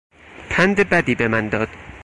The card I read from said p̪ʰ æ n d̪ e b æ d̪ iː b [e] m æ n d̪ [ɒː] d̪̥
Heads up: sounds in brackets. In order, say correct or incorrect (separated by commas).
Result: correct, correct